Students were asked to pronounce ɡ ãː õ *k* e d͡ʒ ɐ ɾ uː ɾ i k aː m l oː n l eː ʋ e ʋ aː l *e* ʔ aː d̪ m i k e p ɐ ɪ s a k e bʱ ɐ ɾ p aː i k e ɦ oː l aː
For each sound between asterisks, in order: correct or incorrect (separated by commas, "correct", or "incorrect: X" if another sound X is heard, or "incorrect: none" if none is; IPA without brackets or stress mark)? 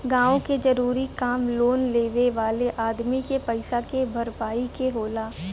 correct, correct